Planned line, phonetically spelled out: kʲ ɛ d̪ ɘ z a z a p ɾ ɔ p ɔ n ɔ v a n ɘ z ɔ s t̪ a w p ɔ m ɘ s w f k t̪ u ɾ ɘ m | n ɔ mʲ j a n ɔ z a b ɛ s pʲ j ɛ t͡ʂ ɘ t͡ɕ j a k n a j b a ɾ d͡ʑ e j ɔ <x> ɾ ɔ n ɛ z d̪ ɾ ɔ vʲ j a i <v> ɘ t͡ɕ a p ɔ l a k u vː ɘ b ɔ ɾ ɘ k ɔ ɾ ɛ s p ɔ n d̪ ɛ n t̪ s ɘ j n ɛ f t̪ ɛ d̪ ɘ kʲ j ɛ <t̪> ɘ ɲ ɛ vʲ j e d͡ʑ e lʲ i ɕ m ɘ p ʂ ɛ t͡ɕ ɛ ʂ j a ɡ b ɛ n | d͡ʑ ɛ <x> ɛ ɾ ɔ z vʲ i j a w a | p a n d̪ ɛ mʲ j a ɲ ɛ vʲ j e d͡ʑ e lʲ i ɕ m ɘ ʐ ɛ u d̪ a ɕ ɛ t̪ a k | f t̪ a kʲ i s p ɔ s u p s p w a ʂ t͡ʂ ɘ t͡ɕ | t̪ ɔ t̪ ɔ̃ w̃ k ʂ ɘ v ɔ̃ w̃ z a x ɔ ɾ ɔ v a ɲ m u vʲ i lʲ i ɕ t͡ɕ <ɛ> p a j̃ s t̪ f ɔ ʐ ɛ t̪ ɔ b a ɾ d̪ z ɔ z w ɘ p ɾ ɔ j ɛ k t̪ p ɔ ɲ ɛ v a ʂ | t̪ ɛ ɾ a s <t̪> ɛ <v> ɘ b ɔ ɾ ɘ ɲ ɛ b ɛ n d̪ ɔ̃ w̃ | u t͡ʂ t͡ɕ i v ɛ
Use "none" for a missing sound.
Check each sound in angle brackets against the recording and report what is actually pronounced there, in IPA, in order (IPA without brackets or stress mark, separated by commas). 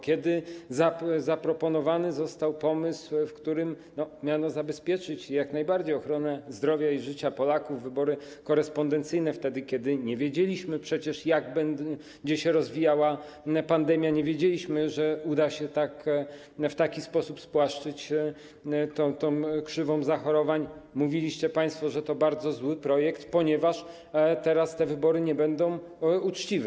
x, ʐ, d̪, ɕ, ɛ, t̪, v